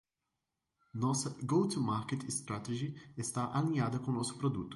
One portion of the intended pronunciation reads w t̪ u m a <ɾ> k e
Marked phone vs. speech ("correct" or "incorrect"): correct